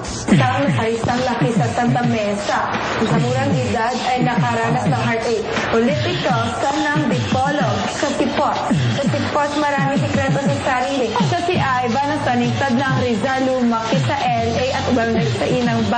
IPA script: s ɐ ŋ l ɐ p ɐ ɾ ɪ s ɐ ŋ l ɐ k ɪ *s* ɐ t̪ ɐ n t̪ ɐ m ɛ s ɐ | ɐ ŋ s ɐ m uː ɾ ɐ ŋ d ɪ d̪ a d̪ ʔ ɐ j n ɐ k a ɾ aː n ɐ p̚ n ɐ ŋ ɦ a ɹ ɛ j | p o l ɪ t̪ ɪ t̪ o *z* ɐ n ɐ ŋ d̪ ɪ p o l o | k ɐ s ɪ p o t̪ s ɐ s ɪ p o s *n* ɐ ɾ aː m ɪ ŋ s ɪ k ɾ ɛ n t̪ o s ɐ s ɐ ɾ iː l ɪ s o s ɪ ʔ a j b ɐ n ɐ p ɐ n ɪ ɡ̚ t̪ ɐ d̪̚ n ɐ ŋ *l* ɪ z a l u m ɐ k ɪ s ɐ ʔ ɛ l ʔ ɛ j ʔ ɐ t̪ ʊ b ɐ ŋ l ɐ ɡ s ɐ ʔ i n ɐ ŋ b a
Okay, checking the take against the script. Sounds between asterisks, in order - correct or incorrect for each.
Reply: correct, incorrect: s, incorrect: m, incorrect: ɾ

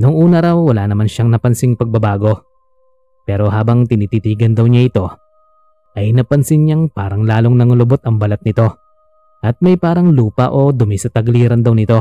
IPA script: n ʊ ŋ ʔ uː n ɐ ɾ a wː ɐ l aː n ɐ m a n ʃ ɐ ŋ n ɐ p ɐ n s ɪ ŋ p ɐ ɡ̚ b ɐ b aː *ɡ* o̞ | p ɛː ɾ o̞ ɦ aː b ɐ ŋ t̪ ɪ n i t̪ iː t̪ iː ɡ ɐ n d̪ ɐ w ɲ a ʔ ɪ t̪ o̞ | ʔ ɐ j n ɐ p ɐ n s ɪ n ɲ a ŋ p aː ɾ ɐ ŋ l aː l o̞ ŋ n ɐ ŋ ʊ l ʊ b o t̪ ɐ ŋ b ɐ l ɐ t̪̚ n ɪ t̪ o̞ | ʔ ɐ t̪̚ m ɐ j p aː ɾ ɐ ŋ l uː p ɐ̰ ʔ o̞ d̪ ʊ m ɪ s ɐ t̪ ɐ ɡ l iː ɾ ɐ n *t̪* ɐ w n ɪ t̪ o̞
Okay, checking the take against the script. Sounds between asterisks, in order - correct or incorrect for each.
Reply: correct, incorrect: d̪

